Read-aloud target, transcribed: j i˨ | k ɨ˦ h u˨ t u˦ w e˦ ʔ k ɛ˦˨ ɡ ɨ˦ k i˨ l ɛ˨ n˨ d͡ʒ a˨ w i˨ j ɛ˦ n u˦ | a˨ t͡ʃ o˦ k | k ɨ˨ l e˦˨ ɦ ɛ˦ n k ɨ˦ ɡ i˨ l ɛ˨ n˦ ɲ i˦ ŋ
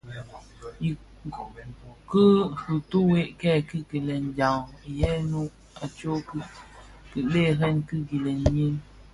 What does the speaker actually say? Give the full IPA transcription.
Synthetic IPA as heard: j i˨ | k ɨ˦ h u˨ t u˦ w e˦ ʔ k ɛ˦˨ k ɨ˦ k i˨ l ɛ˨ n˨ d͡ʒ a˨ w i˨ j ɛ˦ n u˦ | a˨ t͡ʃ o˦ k | k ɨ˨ l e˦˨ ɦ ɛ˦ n k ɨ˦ ɡ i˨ l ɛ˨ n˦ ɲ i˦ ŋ

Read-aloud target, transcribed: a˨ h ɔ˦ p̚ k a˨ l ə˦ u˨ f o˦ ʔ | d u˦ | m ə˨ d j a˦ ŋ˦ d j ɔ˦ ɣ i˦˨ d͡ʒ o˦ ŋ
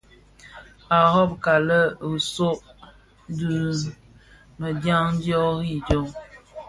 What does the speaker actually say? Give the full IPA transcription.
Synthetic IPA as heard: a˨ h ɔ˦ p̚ k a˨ l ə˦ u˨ s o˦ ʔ | d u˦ | m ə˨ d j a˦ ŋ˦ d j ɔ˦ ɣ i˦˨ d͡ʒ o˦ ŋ

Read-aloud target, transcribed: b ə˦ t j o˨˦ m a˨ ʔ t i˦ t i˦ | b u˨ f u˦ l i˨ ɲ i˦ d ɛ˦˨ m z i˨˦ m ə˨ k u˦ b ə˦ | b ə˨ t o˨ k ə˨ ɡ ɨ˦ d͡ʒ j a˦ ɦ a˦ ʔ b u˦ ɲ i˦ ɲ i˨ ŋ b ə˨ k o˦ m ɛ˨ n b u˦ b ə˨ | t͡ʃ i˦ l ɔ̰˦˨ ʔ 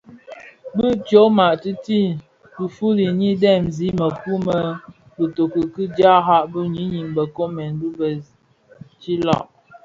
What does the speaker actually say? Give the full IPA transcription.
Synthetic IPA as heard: b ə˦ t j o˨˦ m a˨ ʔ t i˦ t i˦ | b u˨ f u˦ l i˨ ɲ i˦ d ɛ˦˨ m z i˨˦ m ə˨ k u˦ m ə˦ | b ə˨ t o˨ k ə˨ k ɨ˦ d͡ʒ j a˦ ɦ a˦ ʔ b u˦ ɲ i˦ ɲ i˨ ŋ b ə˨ k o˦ m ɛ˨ n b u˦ b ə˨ | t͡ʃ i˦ l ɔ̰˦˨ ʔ

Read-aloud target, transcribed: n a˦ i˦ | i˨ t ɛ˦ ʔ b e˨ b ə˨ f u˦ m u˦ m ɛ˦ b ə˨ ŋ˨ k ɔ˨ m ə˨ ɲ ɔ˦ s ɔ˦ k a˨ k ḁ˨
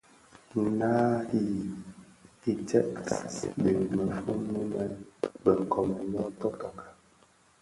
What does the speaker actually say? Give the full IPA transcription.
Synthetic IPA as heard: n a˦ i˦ | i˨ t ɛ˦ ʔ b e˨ m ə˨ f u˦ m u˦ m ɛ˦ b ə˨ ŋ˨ k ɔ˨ m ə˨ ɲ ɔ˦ t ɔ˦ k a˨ k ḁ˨

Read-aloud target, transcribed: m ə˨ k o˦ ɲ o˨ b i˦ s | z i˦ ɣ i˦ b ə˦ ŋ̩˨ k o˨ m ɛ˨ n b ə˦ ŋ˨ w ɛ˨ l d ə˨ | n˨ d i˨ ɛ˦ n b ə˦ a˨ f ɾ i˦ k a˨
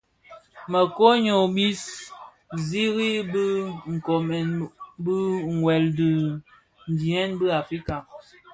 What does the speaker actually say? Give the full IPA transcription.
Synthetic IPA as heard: m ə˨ k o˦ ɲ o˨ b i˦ s | z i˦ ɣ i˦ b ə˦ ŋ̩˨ k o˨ m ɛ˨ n b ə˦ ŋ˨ w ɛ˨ l d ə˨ | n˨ d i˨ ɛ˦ n b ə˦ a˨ f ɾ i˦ k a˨

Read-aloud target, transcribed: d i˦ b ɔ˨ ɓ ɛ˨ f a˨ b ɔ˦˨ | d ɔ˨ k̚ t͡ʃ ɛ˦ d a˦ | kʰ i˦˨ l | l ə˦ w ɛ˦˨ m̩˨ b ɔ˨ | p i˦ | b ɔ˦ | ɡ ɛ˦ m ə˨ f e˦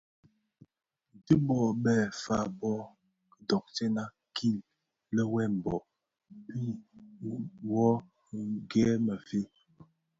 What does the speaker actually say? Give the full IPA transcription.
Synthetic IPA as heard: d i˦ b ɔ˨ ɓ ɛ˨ f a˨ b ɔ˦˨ | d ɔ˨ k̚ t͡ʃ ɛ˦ n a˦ | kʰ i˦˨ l | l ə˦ w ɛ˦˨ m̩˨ b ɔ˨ | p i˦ | w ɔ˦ | ɡ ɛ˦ m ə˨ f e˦

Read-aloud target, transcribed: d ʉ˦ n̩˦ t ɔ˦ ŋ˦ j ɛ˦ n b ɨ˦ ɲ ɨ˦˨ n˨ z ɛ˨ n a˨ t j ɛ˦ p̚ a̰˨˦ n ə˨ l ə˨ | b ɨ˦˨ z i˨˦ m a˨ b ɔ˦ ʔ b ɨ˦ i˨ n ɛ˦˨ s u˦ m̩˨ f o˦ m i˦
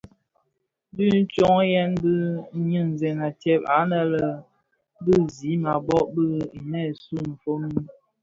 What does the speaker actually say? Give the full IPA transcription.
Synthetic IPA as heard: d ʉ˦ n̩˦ t͡ʃ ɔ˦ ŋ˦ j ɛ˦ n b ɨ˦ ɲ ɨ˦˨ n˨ z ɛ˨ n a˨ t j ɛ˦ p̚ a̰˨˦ n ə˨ l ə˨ | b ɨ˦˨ z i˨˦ m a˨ b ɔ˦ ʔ b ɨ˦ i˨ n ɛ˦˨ s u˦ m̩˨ f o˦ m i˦

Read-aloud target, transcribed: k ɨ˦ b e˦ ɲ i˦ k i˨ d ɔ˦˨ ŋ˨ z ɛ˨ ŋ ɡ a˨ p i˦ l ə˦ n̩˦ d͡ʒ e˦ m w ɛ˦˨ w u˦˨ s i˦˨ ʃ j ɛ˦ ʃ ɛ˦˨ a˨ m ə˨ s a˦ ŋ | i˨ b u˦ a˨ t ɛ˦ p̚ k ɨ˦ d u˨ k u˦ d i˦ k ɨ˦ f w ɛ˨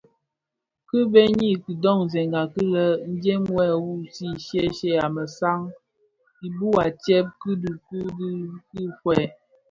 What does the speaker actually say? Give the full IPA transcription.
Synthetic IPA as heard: k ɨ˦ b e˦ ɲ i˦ k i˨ d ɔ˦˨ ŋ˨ z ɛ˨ ŋ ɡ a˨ k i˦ l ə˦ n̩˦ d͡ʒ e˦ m w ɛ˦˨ w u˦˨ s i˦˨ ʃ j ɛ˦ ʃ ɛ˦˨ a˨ m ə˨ s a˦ ŋ | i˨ b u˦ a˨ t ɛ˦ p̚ k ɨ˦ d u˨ k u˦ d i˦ k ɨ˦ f w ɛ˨

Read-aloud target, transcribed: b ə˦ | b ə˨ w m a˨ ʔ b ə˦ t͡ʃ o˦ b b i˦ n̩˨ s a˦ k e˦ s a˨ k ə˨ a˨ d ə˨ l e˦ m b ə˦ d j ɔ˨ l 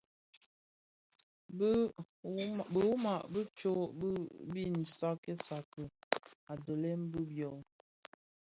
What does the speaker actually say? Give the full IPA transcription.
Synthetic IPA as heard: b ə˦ | b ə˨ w m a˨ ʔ b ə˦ t͡ʃ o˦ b b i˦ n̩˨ s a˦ k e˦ s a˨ k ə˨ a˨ d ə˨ l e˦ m b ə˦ b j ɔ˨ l

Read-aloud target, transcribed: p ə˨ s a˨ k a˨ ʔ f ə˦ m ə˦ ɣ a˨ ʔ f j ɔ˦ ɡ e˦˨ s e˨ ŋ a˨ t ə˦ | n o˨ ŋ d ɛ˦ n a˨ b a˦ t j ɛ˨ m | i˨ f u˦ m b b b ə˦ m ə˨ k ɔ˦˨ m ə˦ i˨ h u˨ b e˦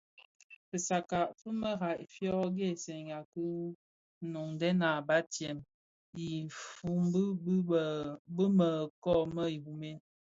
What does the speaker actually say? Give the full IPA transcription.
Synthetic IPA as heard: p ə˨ s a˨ k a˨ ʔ f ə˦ m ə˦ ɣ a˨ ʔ f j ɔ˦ ɡ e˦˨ s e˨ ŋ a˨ k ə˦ | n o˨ ŋ d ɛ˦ n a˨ b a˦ t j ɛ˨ m | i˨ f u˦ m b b b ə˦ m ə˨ k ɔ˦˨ m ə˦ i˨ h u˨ m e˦

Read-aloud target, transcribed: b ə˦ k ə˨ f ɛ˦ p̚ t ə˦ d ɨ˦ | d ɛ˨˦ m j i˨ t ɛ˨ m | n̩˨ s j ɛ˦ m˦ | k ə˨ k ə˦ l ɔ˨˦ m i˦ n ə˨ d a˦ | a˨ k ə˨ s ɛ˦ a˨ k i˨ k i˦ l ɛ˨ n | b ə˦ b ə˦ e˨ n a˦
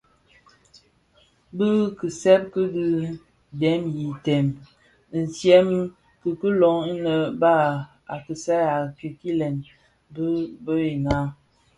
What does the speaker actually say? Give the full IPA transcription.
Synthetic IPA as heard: b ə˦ k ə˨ s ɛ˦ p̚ k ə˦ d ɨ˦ | d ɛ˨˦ m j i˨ t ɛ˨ m | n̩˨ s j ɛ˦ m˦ | k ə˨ k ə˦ l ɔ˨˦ ŋ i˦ n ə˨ b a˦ | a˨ k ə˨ s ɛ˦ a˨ k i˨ k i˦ l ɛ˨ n | b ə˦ b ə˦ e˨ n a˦

